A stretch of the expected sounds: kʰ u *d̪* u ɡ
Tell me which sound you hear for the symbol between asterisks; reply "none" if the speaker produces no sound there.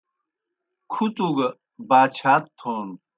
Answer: t̪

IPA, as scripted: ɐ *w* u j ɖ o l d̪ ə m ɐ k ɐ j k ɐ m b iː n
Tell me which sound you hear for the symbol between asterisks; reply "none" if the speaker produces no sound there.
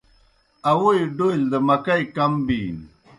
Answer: w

